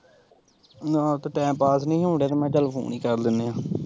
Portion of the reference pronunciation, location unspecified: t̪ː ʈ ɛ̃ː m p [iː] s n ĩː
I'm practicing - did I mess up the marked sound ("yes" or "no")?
yes